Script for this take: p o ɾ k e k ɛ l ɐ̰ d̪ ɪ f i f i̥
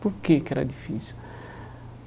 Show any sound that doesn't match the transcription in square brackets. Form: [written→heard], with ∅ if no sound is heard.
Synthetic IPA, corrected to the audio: p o ɾ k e k ɛ [l→ɾ] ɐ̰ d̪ [ɪ→i] f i [f→s] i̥